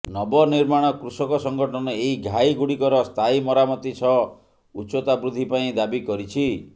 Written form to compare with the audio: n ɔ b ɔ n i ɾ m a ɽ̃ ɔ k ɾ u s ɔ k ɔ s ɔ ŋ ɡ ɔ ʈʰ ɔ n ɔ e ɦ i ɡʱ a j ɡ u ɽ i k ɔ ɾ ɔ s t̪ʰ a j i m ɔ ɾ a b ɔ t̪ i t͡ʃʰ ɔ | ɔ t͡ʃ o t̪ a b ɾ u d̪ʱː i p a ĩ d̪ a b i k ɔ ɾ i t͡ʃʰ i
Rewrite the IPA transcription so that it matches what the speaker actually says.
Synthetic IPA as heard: n ɔ b ɔ n i ɾ m a ɽ̃ ɔ k ɾ u s ɔ k ɔ s ɔ ŋ ɡ ɔ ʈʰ ɔ n ɔ e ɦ i ɡʱ a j ɡ u ɽ i k ɔ ɾ ɔ s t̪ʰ a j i m ɔ ɾ a m ɔ t̪ i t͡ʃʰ ɔ | u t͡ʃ o t̪ a b ɾ u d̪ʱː i p a ĩ d̪ a b i k ɔ ɾ i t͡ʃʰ i